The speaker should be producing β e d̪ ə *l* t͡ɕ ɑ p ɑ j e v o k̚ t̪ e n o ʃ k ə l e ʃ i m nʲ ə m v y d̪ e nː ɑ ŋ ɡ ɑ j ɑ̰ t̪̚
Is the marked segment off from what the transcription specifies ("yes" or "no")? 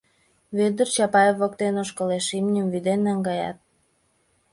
yes